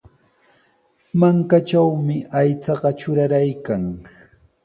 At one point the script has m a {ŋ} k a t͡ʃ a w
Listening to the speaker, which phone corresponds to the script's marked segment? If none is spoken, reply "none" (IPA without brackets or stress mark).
ŋ